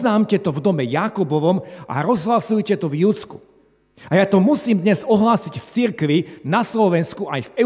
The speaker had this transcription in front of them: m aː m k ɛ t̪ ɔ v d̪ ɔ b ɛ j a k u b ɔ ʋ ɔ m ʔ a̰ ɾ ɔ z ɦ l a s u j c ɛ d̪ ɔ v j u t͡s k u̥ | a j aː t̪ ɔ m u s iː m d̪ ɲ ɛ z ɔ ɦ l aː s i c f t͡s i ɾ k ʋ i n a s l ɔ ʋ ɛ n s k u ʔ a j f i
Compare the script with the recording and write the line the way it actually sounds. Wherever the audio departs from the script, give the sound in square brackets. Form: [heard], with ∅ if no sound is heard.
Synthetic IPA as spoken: [n] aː m [c] ɛ t̪ ɔ v d̪ ɔ [m] ɛ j a k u b ɔ ʋ ɔ m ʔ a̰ ɾ ɔ z ɦ l a s u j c ɛ [t̪] ɔ v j u t͡s k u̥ | a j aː t̪ ɔ m u s iː m d̪ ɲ ɛ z ɔ ɦ l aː s i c f t͡s i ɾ k ʋ i n a s l ɔ ʋ ɛ n s k u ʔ a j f [ɛ]